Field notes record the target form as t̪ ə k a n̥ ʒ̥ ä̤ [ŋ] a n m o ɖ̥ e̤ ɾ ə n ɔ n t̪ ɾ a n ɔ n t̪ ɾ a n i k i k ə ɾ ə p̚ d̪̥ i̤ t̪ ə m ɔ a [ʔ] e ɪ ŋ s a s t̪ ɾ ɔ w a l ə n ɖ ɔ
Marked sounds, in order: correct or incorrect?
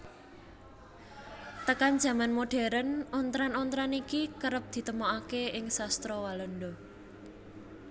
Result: incorrect, incorrect

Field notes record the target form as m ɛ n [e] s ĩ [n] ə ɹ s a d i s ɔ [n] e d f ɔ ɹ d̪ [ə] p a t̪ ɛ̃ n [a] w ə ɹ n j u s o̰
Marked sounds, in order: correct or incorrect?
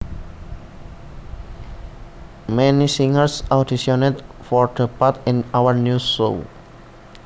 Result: incorrect, incorrect, correct, correct, correct

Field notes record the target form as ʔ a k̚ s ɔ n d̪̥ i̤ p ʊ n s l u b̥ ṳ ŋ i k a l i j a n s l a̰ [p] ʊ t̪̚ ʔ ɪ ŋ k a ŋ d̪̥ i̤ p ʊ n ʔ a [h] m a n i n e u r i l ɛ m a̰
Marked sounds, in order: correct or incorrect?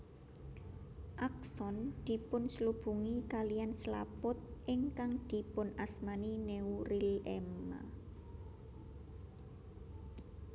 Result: correct, incorrect

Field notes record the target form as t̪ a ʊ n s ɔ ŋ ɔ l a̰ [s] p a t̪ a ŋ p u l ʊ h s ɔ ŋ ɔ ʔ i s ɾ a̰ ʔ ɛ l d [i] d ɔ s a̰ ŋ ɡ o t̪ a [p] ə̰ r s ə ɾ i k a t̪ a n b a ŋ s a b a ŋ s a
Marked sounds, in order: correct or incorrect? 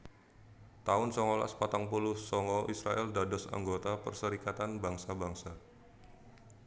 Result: correct, incorrect, correct

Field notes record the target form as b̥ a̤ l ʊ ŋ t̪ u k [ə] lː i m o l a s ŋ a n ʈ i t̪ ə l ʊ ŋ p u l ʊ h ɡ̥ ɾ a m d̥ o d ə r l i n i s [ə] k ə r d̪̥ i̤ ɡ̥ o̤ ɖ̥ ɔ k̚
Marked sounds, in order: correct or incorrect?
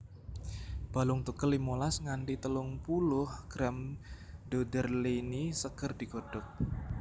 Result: correct, correct

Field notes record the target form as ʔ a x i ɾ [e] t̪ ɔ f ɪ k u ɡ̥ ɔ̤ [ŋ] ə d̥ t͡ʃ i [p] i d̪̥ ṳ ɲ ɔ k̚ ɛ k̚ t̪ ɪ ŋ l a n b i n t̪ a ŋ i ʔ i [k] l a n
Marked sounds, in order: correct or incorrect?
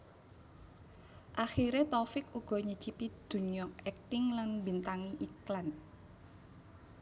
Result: correct, incorrect, correct, correct

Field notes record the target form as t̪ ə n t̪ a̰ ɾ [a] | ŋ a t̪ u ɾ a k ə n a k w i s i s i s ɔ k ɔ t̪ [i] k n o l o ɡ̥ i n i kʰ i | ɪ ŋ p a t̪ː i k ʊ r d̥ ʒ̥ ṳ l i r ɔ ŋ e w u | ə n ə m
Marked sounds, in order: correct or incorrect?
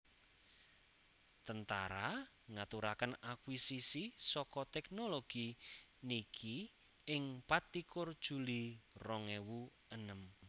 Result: correct, incorrect

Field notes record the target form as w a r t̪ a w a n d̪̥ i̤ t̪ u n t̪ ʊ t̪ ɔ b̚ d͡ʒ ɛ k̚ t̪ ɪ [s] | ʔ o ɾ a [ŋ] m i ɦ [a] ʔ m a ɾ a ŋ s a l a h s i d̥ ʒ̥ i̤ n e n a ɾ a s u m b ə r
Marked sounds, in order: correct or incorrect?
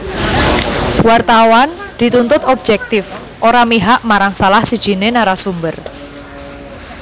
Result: incorrect, incorrect, correct

